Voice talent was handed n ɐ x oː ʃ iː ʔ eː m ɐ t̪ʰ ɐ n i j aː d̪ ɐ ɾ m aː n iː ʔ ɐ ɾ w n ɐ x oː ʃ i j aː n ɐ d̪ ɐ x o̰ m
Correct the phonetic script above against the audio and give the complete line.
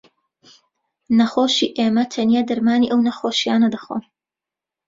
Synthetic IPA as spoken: n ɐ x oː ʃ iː ʔ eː m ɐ t̪ʰ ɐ n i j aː d̪ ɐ ɾ m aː n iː ʔ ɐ w n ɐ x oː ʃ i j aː n ɐ d̪ ɐ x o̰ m